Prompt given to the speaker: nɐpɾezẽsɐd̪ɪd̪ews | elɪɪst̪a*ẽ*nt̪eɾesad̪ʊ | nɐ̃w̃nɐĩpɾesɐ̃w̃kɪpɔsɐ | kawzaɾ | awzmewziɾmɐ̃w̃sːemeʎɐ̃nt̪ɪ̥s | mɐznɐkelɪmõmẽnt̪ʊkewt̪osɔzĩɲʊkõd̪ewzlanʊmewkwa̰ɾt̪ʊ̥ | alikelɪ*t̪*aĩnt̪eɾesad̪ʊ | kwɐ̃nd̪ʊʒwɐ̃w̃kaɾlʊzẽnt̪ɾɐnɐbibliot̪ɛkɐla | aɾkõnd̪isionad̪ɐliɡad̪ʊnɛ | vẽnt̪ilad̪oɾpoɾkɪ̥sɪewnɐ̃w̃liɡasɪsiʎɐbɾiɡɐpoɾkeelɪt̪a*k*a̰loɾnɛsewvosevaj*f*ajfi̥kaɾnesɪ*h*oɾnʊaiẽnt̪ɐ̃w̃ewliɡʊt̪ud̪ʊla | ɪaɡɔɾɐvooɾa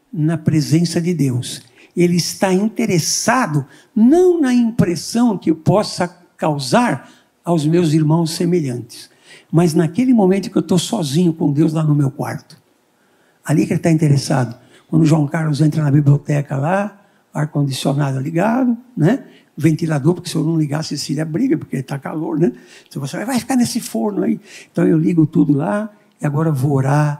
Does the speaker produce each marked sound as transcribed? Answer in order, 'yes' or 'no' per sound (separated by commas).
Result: no, yes, yes, no, no